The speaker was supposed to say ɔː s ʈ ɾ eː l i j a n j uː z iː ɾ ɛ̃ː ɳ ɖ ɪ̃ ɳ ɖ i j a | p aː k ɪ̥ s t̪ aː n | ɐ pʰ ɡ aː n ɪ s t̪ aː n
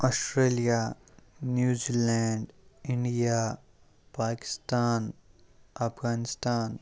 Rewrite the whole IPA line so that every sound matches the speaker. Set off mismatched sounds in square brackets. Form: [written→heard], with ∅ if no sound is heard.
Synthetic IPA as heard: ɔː s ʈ ɾ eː l i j a n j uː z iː [ɾ→l] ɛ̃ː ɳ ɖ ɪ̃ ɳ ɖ i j a | p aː k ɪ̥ s t̪ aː n | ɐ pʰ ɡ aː n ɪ s t̪ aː n